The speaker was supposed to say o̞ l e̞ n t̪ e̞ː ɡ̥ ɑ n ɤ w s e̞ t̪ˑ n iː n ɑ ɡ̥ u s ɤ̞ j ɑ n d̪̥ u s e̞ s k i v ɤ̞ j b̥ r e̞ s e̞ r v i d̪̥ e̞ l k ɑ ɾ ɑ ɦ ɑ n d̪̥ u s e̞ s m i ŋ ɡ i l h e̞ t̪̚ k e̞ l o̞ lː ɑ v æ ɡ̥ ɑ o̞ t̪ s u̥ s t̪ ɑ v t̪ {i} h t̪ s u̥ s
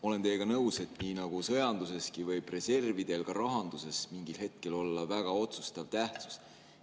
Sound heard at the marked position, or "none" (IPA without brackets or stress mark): æ